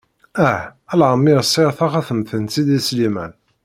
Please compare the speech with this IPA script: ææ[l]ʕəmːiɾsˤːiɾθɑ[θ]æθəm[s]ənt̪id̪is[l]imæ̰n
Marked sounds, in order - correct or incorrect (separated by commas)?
correct, incorrect, incorrect, correct